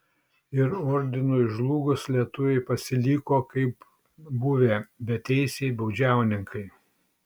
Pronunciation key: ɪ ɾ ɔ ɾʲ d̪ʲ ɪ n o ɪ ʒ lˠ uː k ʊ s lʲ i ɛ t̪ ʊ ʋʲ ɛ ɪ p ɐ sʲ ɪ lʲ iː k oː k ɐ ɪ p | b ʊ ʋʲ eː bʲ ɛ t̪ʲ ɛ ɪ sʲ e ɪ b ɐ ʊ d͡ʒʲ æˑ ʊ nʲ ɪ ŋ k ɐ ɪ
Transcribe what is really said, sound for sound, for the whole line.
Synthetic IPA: ɪ ɾ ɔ ɾʲ d̪ʲ ɪ n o ɪ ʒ lˠ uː ɡ ʊ s lʲ i ɛ t̪ ʊ ʋʲ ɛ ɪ p ɐ sʲ ɪ lʲ iː k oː k ɐ ɪ p | b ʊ ʋʲ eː bʲ ɛ t̪ʲ ɛ ɪ sʲ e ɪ b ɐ ʊ d͡ʒʲ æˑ ʊ nʲ ɪ ŋ k ɐ ɪ